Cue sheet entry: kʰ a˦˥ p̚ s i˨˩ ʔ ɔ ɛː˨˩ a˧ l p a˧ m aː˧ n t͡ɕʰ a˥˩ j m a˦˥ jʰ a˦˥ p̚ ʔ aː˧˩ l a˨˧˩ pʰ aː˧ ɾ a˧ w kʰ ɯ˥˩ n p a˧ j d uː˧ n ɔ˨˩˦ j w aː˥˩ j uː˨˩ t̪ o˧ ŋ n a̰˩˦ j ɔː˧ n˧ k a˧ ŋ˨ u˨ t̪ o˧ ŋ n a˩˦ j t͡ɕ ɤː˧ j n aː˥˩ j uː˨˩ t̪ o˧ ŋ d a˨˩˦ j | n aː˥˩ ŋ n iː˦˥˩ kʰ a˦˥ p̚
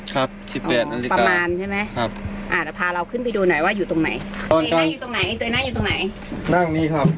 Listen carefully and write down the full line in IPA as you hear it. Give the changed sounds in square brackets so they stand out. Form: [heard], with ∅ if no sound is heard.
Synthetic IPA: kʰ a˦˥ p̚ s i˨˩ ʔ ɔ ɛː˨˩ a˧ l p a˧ m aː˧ n t͡ɕʰ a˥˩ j m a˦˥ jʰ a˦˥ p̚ ʔ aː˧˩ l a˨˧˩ pʰ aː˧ ɾ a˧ w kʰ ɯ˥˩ n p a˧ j d uː˧ n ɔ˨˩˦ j w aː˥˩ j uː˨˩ t̪ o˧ ŋ n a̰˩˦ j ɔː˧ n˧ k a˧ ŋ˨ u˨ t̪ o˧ ŋ n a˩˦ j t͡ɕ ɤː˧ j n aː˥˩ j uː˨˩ t̪ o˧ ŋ [n] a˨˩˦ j | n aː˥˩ ŋ n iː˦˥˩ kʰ a˦˥ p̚